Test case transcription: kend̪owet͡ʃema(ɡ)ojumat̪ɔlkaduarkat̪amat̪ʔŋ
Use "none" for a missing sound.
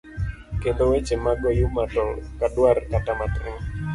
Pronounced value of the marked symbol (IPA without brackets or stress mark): ɡ